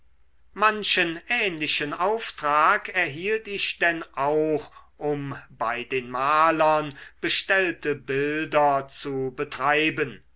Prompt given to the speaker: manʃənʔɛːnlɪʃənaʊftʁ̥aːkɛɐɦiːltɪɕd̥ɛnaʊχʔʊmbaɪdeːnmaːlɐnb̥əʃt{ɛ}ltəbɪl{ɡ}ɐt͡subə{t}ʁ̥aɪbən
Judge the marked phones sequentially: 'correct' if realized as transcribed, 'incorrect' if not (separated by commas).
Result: correct, incorrect, correct